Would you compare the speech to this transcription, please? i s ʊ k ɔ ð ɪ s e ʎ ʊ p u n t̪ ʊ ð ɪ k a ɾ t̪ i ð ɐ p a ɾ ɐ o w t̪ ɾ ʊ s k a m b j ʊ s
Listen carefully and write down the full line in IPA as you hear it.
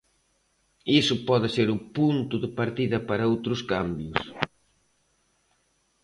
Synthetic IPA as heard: i s ʊ p ɔ ð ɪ s e ɾ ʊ p u n t̪ ʊ ð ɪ p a ɾ t̪ i ð ɐ p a ɾ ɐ o w t̪ ɾ ʊ s k a m b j ʊ s